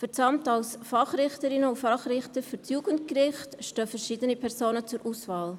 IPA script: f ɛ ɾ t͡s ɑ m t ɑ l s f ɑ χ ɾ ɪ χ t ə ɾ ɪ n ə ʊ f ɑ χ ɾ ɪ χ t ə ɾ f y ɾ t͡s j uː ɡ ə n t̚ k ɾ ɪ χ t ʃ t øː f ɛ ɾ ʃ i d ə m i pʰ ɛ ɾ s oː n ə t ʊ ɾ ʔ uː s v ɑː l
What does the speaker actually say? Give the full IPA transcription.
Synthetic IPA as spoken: f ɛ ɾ t͡s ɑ m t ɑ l s f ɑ χ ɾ ɪ χ t ə ɾ ɪ n ə ʊ f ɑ χ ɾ ɪ χ t ə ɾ f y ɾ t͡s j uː ɡ ə n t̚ k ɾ ɪ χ t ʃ t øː f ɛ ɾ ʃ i d ə n i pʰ ɛ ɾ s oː n ə t͡s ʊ ɾ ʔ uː s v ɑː l